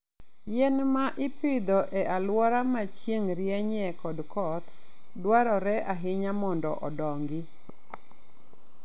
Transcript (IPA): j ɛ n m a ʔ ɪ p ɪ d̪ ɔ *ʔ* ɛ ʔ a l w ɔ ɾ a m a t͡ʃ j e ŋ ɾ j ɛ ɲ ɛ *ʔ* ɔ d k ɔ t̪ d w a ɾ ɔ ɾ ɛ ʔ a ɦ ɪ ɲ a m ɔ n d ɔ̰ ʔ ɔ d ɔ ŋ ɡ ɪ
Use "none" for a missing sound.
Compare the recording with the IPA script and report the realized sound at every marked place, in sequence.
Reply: ʔ, k

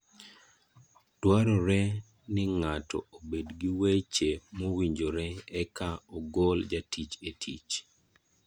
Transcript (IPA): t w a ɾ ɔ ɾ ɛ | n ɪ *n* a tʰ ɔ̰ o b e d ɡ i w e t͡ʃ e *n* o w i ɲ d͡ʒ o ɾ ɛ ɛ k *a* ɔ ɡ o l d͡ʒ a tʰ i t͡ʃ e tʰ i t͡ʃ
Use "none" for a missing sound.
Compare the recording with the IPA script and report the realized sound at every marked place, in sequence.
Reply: ŋ, m, a

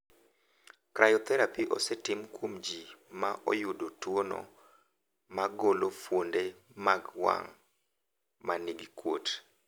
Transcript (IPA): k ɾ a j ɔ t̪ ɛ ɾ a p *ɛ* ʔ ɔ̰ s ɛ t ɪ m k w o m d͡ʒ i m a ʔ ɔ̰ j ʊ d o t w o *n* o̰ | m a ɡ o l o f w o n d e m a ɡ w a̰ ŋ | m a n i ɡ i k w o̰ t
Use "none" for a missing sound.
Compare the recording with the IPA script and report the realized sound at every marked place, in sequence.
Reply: i, n

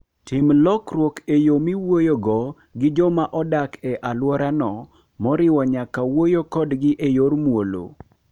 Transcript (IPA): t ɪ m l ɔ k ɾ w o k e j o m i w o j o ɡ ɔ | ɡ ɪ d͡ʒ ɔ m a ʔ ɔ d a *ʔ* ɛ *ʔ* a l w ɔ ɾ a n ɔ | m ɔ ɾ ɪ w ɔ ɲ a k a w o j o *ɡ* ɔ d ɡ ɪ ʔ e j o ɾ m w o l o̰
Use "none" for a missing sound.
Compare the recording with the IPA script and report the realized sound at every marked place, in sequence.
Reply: k, ʔ, k

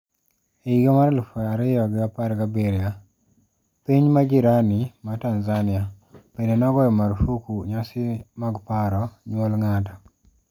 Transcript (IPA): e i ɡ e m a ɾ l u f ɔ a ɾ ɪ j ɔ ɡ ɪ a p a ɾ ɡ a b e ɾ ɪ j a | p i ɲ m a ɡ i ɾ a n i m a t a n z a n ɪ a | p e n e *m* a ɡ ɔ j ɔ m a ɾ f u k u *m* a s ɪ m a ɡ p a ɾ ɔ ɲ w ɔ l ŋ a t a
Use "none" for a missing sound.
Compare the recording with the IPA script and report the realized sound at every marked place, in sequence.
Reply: n, ɲ

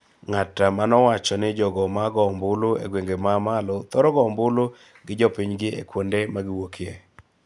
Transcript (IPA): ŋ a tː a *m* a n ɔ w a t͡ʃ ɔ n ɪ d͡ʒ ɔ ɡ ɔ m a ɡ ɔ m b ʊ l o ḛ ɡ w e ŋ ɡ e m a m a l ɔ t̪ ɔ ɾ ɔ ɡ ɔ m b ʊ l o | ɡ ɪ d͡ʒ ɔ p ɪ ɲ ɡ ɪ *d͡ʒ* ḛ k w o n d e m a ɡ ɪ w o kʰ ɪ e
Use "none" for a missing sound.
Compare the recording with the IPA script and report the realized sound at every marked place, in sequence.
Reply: m, none

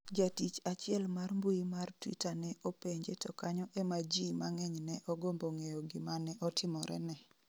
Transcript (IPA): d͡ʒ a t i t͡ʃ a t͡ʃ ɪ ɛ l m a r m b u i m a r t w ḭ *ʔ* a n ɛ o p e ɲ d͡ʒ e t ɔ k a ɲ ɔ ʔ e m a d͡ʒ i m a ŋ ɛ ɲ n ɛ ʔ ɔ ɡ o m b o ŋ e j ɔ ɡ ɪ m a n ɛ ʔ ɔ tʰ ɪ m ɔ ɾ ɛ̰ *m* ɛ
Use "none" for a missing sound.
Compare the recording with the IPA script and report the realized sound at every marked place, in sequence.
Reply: t, n

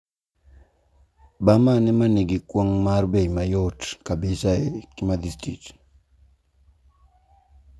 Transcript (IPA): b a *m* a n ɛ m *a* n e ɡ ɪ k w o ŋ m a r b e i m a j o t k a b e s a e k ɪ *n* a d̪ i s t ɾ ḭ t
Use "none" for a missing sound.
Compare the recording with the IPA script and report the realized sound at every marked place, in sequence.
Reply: m, a, m

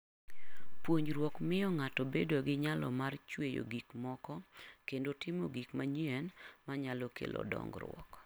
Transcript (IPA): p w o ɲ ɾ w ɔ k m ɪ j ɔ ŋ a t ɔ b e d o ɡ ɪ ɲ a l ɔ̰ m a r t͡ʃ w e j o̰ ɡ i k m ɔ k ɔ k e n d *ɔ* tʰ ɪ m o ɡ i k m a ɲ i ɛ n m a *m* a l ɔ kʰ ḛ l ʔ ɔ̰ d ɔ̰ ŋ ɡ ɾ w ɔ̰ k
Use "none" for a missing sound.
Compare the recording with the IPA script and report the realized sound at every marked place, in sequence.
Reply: o, ɲ

